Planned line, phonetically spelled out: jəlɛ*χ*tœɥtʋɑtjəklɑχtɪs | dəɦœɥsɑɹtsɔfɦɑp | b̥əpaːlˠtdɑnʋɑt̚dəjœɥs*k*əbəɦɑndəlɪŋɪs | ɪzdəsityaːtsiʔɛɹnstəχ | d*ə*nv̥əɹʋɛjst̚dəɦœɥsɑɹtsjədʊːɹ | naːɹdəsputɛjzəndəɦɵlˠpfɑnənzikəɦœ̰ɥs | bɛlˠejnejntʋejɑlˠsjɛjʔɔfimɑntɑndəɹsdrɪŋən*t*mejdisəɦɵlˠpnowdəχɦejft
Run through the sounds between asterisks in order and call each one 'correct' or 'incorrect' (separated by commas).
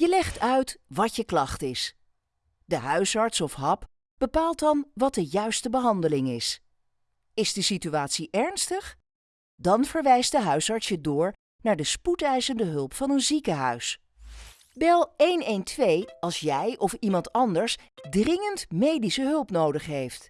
correct, incorrect, incorrect, correct